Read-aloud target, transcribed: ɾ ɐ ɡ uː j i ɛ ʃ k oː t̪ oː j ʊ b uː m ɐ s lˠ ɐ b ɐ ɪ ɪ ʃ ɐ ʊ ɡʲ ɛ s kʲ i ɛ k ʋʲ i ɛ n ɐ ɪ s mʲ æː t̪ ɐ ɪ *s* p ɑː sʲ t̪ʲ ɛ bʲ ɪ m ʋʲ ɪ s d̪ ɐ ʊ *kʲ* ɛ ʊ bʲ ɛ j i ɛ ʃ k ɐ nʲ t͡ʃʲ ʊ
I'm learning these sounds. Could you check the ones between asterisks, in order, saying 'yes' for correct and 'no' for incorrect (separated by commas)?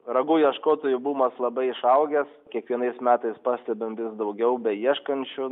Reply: yes, no